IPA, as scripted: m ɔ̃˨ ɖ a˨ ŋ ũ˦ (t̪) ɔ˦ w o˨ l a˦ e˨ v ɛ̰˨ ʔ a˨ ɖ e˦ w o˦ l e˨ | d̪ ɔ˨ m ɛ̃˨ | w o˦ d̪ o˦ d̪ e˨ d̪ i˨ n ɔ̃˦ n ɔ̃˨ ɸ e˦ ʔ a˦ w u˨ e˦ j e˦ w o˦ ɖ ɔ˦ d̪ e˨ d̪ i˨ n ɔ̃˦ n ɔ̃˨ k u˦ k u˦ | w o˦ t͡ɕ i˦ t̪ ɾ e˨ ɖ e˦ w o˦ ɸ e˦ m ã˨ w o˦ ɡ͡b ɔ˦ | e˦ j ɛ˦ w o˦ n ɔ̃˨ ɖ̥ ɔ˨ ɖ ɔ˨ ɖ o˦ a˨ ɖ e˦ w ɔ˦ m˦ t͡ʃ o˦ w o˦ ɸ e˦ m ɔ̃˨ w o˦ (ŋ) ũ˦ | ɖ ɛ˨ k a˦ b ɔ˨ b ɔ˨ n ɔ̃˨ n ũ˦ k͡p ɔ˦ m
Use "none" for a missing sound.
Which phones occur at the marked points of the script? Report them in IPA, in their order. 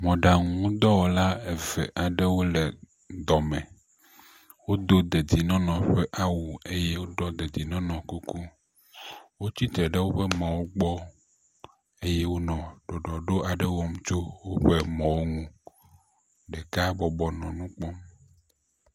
d̪, ŋ

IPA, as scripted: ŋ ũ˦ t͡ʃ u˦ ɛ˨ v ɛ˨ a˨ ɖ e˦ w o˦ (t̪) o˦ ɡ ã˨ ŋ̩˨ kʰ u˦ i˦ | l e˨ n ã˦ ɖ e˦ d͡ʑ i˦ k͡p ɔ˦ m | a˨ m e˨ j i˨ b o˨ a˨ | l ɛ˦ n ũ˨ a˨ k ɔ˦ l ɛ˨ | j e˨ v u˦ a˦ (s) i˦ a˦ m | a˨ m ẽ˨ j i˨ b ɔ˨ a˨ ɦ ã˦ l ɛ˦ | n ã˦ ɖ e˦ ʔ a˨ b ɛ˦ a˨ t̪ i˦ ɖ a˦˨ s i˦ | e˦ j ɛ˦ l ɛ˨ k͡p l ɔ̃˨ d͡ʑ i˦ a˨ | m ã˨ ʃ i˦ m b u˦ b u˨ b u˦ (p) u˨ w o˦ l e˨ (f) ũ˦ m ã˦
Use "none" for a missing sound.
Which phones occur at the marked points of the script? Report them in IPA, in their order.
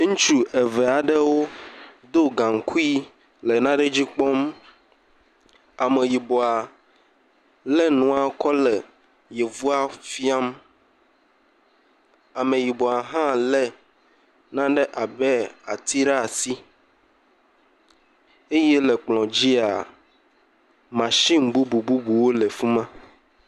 d̪, f, b, f

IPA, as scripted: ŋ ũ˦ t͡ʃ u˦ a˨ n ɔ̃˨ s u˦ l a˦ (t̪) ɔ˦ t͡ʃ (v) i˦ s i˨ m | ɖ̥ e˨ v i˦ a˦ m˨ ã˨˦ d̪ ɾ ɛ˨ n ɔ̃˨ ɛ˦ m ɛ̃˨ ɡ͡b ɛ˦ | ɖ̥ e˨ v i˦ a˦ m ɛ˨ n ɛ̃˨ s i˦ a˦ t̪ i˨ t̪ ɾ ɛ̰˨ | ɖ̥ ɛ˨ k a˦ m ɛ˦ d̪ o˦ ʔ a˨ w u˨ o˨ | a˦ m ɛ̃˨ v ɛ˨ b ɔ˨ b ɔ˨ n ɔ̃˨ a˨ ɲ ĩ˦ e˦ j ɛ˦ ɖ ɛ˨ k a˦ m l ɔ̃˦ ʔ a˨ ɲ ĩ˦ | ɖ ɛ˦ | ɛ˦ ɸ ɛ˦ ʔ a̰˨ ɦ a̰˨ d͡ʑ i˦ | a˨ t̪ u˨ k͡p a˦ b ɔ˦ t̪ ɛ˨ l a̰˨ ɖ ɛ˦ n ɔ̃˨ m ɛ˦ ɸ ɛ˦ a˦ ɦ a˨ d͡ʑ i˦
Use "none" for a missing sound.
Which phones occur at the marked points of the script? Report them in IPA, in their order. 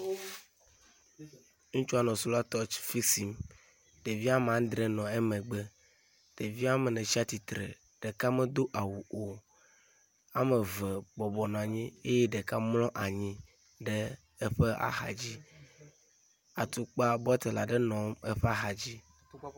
t̪, f

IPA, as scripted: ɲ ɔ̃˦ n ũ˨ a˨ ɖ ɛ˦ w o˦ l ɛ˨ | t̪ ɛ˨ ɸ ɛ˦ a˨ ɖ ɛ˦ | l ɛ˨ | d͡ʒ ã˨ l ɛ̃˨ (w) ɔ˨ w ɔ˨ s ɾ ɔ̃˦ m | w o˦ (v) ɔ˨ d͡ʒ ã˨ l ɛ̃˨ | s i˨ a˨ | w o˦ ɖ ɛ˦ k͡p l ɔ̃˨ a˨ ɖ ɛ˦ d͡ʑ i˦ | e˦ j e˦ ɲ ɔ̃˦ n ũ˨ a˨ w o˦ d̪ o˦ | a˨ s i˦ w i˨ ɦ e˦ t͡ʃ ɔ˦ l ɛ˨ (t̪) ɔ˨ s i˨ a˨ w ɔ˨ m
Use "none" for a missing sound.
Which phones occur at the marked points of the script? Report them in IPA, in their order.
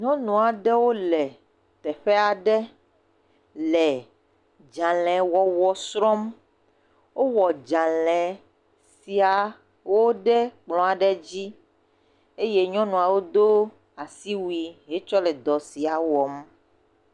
w, w, d̪

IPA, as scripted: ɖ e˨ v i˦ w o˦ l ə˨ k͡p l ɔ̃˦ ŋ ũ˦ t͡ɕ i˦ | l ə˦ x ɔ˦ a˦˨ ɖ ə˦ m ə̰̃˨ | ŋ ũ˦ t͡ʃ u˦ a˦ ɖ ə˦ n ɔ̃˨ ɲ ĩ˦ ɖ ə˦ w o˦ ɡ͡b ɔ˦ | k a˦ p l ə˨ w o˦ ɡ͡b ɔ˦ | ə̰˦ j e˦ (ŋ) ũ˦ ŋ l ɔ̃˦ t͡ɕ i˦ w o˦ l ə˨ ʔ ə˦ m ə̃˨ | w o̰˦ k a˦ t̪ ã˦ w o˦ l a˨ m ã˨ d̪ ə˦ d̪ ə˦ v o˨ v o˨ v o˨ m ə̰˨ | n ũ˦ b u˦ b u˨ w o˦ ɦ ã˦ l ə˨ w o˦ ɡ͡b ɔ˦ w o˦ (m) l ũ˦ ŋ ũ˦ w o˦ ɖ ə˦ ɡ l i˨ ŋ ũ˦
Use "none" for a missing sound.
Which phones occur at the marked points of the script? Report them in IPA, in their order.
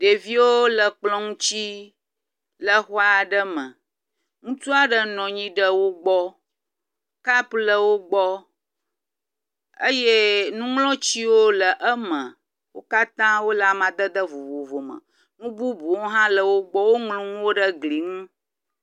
n, ŋ

